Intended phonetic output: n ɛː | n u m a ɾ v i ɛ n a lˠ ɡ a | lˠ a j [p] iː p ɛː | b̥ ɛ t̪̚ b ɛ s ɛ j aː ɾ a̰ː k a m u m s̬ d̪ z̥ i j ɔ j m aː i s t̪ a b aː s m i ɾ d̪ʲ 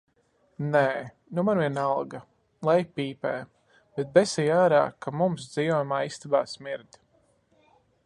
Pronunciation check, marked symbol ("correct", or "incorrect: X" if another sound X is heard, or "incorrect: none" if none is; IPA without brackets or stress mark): correct